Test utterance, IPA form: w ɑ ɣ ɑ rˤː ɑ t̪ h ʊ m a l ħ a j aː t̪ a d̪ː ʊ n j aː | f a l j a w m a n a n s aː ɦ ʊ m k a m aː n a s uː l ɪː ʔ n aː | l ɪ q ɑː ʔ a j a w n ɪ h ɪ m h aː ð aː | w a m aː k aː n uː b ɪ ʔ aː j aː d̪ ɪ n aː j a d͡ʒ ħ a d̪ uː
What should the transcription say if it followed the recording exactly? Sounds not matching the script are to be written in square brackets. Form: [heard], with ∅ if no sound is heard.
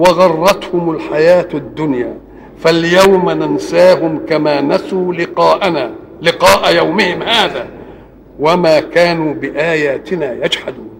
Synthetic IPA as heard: w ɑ ɣ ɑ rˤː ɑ t̪ h ʊ m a l ħ a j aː t̪ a d̪ː ʊ n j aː | f a l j a w m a n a n s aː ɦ ʊ m k a m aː n a s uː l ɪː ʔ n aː | l ɪ q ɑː ʔ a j a w [m] ɪ h ɪ m h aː ð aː | w a m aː k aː n uː b ɪ ʔ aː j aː [t̪] ɪ n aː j a d͡ʒ ħ a d̪ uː